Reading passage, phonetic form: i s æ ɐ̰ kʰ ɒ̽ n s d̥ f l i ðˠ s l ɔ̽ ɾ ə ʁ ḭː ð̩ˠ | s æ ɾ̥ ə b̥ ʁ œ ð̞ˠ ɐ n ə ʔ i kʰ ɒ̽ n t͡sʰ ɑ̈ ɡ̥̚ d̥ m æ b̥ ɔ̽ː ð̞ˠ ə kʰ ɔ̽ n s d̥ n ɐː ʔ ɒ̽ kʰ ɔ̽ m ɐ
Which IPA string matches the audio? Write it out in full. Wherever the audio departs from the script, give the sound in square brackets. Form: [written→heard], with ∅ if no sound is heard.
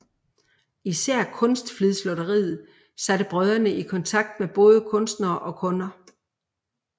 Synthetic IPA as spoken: i s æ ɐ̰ kʰ [ɒ̽→ɔ̽] n s d̥ f l i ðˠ s l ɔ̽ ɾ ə ʁ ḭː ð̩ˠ | s æ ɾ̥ ə b̥ ʁ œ ð̞ˠ ɐ n ə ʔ i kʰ ɒ̽ n t͡sʰ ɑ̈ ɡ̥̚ d̥ m [æ→e] b̥ ɔ̽ː ð̞ˠ ə kʰ ɔ̽ n s d̥ n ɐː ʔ ɒ̽ kʰ ɔ̽ [m→n] ɐ